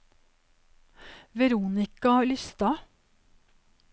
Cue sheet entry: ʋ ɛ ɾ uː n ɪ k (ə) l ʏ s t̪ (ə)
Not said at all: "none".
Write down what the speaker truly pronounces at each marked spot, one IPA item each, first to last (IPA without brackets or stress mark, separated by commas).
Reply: ɑ, ɑ